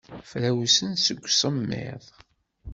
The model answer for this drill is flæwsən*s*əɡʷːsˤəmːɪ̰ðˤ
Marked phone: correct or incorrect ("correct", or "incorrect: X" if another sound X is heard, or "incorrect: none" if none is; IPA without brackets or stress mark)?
correct